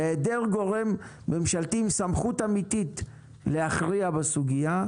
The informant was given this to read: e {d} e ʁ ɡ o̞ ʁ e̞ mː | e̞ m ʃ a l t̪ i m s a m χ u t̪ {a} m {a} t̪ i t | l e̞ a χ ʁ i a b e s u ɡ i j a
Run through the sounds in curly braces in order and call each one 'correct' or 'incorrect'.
correct, correct, incorrect: i

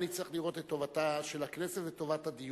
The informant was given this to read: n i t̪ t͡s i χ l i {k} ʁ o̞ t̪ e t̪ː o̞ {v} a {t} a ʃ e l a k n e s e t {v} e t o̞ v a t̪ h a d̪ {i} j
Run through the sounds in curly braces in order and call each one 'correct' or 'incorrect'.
incorrect: none, correct, correct, correct, correct

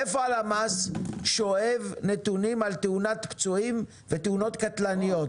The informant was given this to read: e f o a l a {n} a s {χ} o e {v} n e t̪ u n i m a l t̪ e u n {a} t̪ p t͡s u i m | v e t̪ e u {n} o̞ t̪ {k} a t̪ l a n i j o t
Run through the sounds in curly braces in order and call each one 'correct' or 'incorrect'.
incorrect: m, incorrect: ʃ, correct, correct, correct, correct

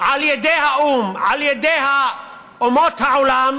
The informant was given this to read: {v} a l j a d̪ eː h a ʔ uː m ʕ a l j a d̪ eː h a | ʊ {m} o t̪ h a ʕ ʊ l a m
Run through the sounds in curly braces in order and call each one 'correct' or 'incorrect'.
incorrect: ʕ, correct

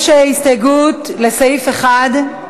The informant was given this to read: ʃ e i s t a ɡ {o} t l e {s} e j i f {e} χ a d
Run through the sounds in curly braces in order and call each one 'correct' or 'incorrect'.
incorrect: u, correct, correct

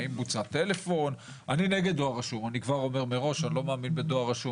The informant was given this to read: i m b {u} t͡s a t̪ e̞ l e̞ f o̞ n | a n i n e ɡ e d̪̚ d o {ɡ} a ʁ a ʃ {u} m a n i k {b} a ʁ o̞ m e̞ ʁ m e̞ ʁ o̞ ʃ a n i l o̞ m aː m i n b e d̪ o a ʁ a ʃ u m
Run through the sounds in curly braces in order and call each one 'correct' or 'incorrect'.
correct, incorrect: none, correct, incorrect: v

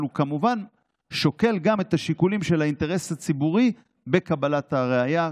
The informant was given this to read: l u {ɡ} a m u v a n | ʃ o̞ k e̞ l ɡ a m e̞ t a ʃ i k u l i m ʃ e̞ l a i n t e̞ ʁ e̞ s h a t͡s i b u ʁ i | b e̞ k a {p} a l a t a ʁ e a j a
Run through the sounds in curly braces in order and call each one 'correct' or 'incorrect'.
incorrect: k, incorrect: b

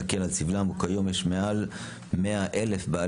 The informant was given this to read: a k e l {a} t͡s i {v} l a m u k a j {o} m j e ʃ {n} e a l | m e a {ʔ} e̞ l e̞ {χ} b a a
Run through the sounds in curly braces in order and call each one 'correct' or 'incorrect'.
correct, correct, correct, incorrect: m, correct, incorrect: f

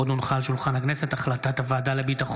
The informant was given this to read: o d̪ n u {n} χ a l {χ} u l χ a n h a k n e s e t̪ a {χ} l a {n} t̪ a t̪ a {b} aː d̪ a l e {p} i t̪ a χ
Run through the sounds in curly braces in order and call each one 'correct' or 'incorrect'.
correct, incorrect: ʃ, correct, incorrect: none, incorrect: v, incorrect: b

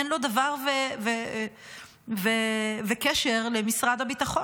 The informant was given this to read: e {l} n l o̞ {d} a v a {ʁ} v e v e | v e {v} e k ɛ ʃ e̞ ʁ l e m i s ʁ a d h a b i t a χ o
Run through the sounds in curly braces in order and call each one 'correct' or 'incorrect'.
incorrect: none, correct, correct, correct

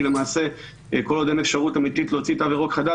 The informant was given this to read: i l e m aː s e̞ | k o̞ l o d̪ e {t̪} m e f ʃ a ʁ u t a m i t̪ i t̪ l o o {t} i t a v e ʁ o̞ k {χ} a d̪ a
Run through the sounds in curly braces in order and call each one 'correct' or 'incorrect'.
incorrect: none, incorrect: t͡s, correct

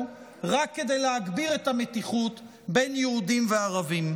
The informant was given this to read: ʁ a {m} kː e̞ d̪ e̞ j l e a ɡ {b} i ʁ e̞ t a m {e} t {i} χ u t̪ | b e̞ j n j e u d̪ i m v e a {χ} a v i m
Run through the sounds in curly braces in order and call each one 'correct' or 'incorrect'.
incorrect: none, correct, correct, correct, incorrect: ʁ

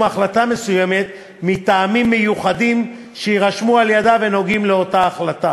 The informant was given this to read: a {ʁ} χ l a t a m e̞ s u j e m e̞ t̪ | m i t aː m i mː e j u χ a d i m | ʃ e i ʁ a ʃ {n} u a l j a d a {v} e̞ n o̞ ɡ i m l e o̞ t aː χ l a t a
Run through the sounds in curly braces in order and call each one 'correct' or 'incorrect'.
incorrect: none, incorrect: m, correct

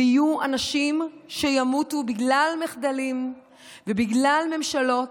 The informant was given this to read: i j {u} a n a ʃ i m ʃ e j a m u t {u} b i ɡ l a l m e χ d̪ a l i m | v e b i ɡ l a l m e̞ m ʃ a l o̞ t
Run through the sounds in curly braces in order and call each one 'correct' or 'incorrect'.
correct, correct

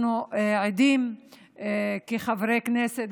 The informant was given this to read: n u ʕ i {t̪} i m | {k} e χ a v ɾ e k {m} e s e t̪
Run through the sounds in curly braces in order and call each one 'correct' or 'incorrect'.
incorrect: d̪, correct, incorrect: n

